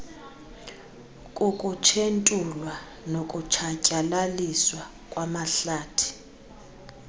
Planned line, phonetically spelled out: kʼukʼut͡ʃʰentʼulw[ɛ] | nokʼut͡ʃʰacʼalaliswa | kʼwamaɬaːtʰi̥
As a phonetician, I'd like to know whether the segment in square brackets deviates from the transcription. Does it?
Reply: yes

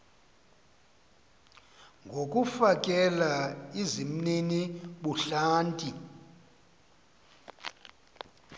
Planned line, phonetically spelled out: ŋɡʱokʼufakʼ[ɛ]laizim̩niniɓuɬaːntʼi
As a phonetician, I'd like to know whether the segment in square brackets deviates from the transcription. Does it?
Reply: no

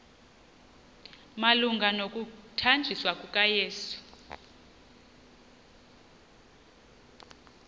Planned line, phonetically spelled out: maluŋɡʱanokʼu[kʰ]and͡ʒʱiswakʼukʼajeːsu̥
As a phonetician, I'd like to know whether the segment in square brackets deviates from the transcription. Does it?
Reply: yes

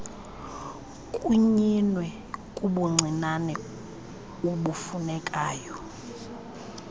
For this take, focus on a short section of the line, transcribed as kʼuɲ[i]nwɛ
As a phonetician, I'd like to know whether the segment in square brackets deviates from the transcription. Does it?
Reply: no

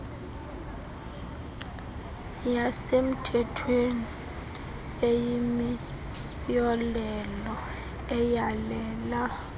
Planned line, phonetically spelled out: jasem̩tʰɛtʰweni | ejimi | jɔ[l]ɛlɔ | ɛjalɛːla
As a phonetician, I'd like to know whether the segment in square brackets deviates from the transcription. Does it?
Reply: no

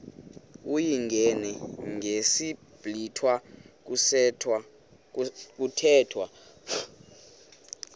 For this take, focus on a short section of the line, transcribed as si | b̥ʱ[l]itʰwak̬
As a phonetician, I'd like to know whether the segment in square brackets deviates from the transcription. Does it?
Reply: no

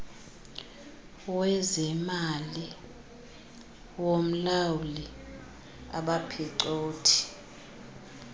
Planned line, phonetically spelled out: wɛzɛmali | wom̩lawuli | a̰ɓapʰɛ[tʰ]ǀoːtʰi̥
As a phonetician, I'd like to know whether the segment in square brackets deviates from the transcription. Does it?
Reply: yes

